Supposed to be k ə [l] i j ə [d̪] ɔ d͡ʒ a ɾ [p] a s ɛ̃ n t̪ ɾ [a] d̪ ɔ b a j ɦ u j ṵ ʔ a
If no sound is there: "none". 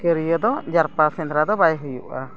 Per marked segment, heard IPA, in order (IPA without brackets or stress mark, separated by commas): ɾ, d̪, p, a